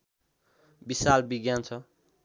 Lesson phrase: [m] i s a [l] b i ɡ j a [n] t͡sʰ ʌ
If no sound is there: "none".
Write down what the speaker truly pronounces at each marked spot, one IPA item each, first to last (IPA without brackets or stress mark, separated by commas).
b, l, n